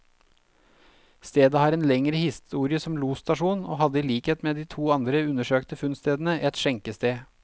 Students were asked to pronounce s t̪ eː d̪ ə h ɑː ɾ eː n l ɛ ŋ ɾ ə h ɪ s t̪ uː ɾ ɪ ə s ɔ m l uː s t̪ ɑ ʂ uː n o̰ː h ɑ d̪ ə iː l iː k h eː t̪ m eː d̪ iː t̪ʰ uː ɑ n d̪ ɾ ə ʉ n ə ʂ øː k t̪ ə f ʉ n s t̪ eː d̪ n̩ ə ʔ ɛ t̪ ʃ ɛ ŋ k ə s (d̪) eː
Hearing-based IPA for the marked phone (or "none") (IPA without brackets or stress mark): t̪